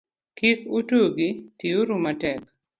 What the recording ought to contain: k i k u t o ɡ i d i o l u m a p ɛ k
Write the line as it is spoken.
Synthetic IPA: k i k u t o ɡ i t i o ɾ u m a t ɛ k